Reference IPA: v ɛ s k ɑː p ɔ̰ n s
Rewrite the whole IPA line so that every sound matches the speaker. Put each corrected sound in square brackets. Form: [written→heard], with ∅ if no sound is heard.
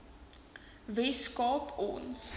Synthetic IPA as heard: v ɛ s k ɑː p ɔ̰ n s